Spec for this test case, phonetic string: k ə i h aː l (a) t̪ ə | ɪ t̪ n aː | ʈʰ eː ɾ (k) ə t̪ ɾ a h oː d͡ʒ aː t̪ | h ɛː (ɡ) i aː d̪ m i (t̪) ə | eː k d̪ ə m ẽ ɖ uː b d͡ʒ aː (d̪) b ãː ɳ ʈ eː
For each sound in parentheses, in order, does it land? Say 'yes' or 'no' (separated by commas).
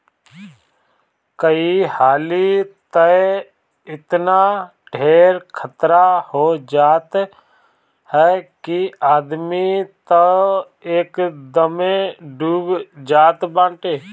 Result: no, no, no, yes, no